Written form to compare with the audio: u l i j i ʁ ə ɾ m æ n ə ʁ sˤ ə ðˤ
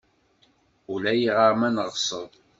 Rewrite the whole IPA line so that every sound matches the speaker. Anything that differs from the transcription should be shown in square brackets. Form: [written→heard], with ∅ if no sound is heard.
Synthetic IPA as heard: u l [i→æ] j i ʁ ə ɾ m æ n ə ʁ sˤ ə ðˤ